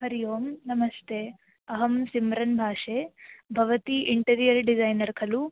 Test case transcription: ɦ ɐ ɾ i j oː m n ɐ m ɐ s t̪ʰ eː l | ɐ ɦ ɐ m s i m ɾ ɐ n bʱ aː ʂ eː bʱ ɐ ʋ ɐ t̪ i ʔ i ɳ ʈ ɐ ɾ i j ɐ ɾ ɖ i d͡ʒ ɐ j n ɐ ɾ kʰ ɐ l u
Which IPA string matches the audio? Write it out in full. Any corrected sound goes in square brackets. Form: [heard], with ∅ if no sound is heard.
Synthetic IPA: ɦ ɐ ɾ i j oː m n ɐ m ɐ s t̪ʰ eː [∅] | ɐ ɦ ɐ m s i m ɾ ɐ n bʱ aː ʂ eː bʱ ɐ ʋ ɐ t̪ i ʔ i ɳ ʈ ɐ ɾ i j ɐ ɾ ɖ i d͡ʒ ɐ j n ɐ ɾ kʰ ɐ l u